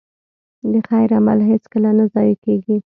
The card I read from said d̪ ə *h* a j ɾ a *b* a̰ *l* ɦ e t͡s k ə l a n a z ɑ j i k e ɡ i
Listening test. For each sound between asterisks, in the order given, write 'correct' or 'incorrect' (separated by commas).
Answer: incorrect, incorrect, correct